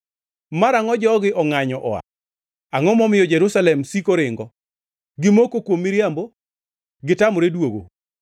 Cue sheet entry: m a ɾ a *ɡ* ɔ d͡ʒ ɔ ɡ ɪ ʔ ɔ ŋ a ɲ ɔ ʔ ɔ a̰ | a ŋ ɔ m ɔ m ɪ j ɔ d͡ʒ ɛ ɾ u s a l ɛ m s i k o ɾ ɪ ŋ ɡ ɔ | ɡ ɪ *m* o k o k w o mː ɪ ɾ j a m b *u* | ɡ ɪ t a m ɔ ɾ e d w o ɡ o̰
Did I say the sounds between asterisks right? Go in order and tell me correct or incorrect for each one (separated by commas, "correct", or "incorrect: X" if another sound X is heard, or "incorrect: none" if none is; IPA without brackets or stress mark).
incorrect: ŋ, correct, incorrect: o